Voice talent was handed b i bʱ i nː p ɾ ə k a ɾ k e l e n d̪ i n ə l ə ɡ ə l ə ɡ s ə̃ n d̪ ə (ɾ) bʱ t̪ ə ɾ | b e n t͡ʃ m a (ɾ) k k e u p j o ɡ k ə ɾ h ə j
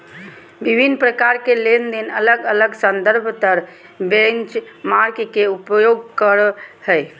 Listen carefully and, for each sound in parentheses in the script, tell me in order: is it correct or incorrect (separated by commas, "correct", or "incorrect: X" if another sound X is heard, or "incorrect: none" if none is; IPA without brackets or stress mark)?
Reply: correct, correct